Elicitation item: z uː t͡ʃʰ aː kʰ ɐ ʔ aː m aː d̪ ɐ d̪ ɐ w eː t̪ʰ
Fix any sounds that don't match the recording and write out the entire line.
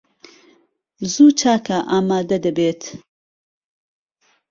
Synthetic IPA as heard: z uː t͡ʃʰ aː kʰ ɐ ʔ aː m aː d̪ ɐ d̪ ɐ b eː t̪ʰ